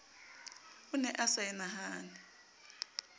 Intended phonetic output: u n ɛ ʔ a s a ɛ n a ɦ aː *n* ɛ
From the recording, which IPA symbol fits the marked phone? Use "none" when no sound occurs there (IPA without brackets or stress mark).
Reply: n